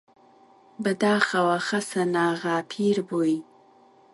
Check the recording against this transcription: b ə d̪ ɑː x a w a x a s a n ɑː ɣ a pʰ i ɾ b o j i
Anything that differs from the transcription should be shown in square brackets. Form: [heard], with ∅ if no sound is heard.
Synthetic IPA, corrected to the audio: b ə d̪ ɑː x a w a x a s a n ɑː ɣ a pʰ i ɾ b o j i